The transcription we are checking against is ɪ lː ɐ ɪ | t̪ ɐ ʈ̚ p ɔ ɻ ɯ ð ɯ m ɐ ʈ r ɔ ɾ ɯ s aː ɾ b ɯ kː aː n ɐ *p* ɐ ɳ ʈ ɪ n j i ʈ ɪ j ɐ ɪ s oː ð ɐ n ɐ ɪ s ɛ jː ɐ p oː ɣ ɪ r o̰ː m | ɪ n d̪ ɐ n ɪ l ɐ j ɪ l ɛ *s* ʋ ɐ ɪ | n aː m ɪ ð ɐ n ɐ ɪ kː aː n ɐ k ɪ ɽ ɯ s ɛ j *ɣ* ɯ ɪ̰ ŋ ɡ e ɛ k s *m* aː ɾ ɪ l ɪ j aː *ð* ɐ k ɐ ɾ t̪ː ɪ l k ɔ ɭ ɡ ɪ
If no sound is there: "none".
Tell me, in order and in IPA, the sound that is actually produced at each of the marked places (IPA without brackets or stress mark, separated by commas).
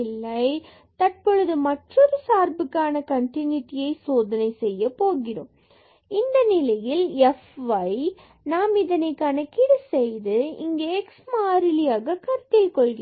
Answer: k, f, ð, m, ɣ